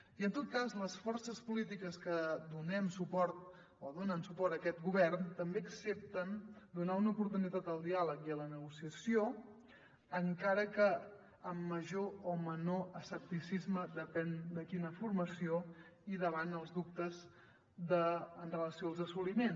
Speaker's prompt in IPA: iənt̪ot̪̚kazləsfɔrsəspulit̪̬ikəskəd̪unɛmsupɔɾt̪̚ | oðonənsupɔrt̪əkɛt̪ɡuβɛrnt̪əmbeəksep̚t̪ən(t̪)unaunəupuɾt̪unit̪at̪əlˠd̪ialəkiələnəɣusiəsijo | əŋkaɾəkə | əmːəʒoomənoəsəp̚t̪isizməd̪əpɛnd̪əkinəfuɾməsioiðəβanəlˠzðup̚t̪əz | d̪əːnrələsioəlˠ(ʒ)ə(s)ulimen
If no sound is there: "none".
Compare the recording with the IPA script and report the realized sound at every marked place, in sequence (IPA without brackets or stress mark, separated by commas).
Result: d̪, z, s